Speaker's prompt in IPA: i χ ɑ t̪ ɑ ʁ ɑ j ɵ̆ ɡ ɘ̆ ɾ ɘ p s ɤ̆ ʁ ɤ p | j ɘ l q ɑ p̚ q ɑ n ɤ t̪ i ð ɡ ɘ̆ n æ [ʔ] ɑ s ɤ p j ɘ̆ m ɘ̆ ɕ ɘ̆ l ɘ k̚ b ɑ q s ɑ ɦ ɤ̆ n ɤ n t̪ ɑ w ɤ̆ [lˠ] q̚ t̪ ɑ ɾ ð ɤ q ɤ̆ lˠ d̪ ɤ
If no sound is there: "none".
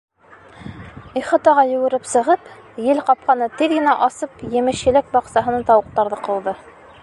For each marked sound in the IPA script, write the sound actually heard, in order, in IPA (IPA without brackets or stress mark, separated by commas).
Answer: ʔ, none